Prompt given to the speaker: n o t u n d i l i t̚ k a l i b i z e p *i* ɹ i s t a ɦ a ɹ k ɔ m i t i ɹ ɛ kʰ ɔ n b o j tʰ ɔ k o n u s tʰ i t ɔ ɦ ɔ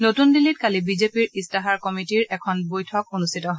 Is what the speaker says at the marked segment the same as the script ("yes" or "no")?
yes